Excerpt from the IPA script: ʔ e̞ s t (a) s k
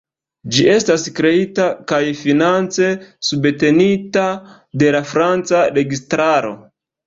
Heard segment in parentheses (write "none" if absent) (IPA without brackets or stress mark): a